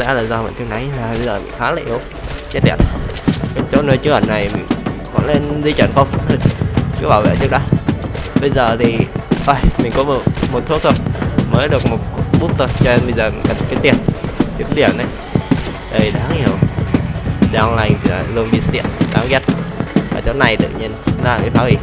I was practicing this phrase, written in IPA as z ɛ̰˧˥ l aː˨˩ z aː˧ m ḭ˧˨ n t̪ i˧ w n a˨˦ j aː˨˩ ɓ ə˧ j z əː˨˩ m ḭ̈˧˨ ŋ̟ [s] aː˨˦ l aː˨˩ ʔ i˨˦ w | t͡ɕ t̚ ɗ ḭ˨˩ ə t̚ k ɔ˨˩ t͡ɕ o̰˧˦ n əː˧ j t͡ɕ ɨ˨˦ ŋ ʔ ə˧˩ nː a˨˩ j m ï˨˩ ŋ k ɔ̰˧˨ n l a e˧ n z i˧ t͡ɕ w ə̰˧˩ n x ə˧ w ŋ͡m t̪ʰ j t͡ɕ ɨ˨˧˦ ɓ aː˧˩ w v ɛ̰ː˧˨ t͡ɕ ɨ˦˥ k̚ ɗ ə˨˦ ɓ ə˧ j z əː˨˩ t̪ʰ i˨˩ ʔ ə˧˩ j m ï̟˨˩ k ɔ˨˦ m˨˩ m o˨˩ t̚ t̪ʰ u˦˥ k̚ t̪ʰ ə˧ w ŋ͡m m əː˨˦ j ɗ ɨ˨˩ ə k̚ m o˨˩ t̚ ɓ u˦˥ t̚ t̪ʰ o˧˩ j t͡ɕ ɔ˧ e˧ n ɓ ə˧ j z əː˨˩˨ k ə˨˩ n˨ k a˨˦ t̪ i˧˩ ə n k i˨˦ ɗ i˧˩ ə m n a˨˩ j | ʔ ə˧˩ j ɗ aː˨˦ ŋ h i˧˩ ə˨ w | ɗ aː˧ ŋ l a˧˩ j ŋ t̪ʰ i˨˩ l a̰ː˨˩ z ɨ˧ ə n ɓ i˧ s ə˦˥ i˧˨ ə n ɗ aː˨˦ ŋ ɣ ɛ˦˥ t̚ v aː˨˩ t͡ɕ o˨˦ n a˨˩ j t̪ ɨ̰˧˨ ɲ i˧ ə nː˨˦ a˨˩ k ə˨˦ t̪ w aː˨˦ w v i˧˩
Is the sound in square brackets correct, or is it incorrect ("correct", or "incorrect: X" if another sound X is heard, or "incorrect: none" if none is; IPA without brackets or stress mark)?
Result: incorrect: x